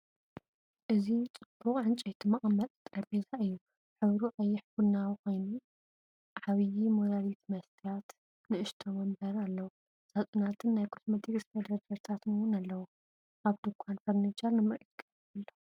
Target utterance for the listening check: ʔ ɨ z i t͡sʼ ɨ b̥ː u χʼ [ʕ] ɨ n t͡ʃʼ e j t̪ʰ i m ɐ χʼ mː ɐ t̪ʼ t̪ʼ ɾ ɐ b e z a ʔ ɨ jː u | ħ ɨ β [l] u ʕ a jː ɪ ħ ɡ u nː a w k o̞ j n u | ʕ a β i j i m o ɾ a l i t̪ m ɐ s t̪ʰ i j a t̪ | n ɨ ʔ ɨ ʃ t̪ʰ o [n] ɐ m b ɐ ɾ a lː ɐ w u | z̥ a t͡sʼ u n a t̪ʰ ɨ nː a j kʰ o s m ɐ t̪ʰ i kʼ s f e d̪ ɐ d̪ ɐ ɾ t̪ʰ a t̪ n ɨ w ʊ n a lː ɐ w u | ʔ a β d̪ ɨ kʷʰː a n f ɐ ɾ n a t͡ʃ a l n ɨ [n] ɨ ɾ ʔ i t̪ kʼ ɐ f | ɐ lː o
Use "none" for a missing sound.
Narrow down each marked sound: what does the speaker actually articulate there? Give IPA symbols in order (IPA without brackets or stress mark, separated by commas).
ʕ, ɾ, m, m